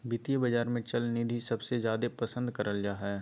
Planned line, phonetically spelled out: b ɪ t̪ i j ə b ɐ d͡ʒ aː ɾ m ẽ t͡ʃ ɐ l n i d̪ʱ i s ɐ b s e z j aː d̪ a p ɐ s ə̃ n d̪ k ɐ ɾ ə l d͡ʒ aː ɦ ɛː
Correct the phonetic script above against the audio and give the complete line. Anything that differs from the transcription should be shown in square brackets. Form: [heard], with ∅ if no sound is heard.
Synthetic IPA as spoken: b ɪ t̪ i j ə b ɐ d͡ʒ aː ɾ m ẽ t͡ʃ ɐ l n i d̪ʱ i s ɐ b s e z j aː d̪ [e] p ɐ s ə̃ n d̪ k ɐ ɾ ə l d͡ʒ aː ɦ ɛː